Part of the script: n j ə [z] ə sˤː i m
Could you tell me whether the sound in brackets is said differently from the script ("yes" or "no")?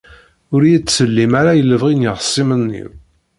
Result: yes